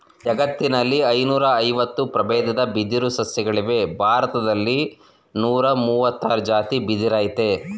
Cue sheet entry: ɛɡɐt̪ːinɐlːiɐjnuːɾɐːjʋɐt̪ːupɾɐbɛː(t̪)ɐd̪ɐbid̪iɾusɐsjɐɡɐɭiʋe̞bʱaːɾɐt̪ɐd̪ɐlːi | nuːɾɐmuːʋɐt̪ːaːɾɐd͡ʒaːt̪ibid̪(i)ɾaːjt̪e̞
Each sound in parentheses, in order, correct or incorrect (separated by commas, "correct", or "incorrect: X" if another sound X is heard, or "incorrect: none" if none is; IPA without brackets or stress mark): incorrect: d̪, correct